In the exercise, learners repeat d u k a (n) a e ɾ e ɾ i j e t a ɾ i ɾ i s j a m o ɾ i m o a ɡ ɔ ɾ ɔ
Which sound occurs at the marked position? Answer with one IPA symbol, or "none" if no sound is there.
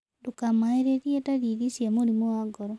m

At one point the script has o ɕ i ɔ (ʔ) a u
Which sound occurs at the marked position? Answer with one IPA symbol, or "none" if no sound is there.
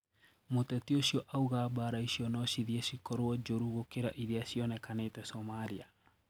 ʔ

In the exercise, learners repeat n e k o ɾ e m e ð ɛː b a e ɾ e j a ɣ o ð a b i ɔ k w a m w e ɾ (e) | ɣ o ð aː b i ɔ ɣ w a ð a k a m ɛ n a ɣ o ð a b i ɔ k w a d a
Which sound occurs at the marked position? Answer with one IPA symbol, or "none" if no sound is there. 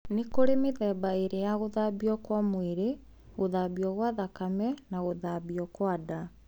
e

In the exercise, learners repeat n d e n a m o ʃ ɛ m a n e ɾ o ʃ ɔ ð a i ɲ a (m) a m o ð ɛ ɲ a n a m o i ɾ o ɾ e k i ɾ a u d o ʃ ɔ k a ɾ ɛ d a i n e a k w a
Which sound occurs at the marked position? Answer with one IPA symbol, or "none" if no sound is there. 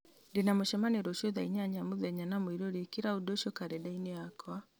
ɲ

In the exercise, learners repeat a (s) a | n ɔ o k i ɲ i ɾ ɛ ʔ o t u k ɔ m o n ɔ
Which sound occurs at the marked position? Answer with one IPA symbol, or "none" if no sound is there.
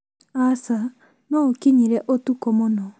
s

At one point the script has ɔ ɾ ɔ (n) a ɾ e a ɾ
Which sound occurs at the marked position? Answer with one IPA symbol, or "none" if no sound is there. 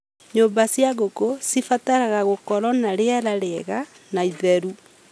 n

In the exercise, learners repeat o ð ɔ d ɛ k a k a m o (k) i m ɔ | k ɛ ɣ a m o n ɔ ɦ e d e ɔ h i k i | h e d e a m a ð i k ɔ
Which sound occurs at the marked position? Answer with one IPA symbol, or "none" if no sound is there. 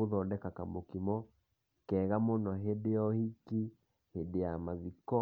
k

